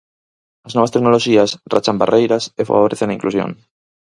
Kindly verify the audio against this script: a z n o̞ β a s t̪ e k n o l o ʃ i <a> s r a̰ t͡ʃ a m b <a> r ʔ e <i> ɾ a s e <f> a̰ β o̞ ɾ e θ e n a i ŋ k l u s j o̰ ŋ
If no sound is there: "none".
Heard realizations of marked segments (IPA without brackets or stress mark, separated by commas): a, a, j, f